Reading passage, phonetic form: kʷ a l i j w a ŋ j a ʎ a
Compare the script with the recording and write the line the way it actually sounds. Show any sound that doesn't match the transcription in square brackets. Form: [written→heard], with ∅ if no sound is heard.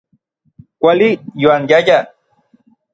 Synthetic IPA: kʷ a l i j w a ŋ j a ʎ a